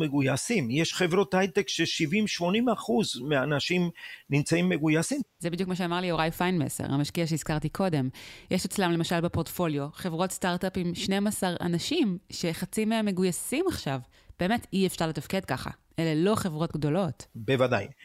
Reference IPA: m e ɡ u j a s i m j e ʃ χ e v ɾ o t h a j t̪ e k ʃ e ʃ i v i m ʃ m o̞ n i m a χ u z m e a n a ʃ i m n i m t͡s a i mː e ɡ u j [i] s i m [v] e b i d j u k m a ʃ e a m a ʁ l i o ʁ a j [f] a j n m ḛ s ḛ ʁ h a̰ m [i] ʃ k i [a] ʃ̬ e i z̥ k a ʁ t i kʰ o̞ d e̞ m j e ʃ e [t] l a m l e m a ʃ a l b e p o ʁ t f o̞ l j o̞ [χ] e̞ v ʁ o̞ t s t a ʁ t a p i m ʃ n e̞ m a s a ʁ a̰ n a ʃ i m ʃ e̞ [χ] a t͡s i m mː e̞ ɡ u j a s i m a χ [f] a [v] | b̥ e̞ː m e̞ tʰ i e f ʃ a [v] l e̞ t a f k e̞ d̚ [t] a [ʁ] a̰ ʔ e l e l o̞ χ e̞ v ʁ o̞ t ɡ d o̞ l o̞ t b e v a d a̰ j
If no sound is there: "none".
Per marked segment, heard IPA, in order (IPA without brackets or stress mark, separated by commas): a, z, f, a, a, t͡s, χ, χ, ʃ, v, ʁ, k, χ